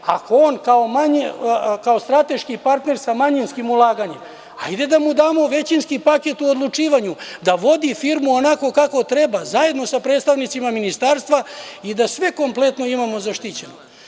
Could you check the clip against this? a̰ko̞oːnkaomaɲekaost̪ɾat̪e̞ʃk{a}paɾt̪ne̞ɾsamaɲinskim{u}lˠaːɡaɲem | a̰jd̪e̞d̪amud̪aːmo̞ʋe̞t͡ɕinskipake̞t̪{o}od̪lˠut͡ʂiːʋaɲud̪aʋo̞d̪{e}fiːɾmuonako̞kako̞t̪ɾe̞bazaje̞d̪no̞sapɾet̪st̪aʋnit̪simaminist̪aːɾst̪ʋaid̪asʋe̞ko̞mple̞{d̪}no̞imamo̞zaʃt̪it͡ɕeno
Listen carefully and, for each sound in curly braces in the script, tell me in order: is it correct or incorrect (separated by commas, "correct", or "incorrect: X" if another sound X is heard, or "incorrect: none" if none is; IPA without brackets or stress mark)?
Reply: incorrect: i, correct, incorrect: u, incorrect: i, incorrect: t̪